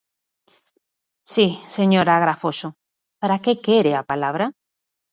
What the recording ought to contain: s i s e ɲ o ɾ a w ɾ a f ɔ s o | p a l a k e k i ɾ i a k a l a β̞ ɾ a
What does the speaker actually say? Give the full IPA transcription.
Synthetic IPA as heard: s i s e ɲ o ɾ a ɣ ɾ a f o s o | p a ɾ a k e k e ɾ e a p a l a β̞ ɾ a